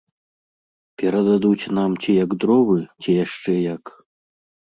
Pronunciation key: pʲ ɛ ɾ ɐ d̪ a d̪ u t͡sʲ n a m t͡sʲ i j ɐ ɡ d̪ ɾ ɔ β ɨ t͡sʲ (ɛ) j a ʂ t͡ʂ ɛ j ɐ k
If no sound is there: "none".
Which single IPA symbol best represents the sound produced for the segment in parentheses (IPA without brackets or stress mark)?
i